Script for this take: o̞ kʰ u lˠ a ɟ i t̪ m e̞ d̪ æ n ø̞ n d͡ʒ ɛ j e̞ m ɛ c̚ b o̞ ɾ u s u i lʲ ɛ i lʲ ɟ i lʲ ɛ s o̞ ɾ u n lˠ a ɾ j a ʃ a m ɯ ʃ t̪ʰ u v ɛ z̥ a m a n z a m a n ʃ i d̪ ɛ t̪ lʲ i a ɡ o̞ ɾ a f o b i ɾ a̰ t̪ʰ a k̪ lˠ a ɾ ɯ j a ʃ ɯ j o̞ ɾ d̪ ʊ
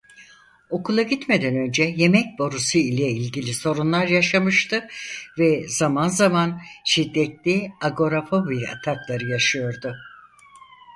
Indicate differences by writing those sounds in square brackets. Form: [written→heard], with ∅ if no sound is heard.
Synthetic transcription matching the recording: o̞ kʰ u lˠ a ɟ i t̪ m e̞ d̪ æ n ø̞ n d͡ʒ ɛ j e̞ m ɛ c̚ b o̞ ɾ u s u i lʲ ɛ i lʲ ɟ i lʲ [ɛ→i] s o̞ ɾ u n lˠ a ɾ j a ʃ a m ɯ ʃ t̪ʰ [u→ɯ] v ɛ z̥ a m a n z a m a n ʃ i [d̪→d̪ː] ɛ t̪ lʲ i a ɡ o̞ ɾ a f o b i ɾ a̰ t̪ʰ a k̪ lˠ a ɾ ɯ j a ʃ ɯ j o̞ ɾ d̪ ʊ